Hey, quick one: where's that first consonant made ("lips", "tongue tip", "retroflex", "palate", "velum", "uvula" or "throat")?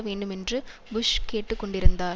lips